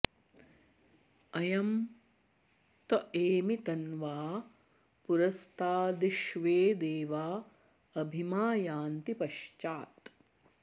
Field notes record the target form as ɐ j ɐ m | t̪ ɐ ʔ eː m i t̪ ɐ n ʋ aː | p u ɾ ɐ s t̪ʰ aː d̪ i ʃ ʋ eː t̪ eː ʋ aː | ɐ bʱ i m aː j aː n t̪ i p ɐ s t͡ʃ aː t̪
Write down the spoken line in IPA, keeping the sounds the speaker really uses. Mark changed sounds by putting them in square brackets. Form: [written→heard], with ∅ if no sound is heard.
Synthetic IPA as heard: ɐ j ɐ m | t̪ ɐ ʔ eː m i t̪ ɐ n ʋ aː | p u ɾ ɐ s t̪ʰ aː d̪ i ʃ ʋ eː [t̪→d̪] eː ʋ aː | ɐ bʱ i m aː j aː n t̪ i p ɐ [s→ʃ] t͡ʃ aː t̪